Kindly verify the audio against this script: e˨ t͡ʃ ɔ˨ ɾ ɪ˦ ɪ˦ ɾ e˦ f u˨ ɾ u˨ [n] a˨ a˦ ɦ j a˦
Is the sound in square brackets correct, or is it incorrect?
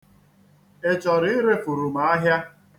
incorrect